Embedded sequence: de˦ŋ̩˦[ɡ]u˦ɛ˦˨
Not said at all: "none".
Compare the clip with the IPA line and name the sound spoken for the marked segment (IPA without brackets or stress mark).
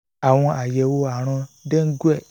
ɡ